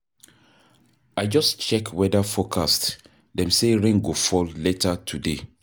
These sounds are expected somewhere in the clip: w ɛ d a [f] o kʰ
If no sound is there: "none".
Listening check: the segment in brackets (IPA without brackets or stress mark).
f